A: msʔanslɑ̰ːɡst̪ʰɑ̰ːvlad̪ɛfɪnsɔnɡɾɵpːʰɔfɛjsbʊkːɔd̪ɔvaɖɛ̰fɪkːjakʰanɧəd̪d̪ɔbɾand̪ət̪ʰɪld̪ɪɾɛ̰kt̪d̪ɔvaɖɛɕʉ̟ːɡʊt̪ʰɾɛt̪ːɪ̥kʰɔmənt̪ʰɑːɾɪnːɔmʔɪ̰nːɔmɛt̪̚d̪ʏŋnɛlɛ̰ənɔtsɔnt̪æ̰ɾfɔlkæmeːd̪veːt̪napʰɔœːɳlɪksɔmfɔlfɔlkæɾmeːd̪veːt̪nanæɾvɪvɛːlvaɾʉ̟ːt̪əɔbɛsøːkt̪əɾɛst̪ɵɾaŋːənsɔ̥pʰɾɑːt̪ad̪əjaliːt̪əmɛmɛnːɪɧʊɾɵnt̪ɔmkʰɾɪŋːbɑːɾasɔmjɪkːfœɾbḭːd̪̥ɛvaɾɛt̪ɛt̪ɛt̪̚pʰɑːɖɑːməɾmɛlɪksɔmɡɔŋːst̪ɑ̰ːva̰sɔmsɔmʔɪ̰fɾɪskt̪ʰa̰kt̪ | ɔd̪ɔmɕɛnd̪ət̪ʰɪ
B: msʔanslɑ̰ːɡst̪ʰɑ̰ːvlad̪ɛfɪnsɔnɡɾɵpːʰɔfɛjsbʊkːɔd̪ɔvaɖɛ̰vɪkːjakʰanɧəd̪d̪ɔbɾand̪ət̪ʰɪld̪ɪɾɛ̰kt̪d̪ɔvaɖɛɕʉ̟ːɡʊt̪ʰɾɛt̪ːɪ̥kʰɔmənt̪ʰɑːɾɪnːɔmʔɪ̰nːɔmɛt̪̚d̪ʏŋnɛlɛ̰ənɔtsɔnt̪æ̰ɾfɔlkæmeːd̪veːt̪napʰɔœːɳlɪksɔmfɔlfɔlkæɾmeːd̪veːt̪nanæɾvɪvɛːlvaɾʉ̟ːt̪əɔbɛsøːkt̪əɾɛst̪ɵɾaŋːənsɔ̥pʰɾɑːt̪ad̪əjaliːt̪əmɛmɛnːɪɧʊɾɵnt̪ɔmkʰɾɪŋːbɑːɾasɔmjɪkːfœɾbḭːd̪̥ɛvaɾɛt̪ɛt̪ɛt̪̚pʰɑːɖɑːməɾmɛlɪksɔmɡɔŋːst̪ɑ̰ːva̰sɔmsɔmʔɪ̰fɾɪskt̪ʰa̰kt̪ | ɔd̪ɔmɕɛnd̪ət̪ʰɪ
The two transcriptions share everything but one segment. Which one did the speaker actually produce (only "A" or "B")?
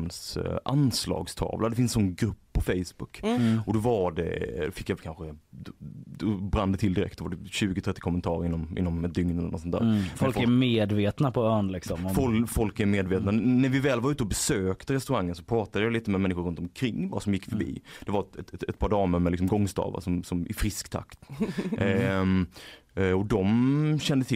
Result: A